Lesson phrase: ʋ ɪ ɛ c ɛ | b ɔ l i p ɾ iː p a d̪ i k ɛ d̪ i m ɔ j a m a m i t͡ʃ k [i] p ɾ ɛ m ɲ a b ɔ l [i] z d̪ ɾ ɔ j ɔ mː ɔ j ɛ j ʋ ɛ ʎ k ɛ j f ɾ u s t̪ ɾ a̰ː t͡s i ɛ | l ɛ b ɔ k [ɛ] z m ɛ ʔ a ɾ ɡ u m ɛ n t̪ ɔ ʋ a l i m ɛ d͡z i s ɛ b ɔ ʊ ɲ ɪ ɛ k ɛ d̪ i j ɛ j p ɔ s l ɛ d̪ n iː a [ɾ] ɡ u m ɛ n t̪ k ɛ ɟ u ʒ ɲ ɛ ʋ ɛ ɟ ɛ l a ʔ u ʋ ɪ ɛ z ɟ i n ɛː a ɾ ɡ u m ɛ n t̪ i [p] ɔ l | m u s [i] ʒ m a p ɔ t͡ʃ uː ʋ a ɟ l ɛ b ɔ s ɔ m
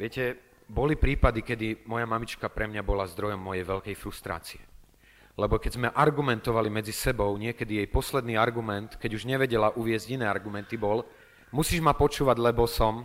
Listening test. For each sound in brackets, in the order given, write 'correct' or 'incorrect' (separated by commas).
incorrect, incorrect, correct, correct, incorrect, incorrect